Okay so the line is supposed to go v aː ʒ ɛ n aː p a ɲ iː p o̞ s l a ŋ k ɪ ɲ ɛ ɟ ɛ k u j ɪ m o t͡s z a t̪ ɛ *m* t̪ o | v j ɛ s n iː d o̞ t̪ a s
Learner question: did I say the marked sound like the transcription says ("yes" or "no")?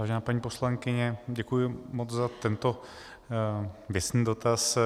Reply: no